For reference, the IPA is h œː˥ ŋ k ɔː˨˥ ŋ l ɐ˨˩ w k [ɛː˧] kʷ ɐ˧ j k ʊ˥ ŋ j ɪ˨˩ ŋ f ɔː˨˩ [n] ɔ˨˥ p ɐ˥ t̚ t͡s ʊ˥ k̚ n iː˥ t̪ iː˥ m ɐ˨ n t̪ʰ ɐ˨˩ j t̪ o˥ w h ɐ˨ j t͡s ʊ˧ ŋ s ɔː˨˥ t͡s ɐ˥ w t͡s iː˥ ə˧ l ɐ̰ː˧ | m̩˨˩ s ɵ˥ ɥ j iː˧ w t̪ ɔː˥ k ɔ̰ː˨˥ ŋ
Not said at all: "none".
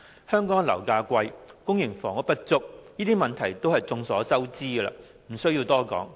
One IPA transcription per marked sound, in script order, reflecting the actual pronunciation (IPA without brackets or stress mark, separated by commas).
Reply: aː˧, ŋ